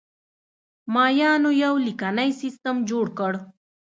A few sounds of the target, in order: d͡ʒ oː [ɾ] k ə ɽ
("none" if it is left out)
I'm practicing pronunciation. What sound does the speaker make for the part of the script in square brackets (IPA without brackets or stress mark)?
ɽ